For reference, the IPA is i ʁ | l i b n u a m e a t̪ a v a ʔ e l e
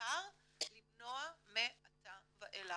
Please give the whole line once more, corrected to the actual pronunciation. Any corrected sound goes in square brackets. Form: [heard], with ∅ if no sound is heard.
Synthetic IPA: [a] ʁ | l i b n [o] a m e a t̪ a v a ʔ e l [a]